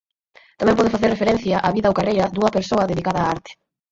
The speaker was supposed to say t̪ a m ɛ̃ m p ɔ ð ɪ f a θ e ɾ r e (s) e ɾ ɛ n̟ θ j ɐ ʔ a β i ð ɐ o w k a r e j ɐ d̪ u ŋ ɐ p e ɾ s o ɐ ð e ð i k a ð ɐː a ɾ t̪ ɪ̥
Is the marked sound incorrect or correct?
incorrect